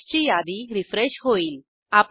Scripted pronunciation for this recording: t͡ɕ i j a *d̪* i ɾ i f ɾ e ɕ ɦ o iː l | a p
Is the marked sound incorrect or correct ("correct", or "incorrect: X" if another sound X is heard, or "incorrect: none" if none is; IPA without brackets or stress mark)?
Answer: correct